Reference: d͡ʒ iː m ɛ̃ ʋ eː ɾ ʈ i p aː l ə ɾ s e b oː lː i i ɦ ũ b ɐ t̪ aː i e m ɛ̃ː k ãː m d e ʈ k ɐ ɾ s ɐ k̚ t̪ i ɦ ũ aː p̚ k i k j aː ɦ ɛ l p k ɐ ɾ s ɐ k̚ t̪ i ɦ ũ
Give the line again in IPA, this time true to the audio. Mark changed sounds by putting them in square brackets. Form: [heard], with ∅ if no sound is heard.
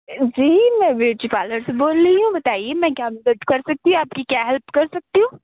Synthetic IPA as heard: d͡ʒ iː m ɛ̃ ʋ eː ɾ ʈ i p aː l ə ɾ s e b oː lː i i ɦ ũ b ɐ t̪ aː i e m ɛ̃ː k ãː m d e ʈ k ɐ ɾ s ɐ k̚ t̪ i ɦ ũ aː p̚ k i k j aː ɦ ɛ l p k ɐ ɾ s ɐ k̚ t̪ i ɦ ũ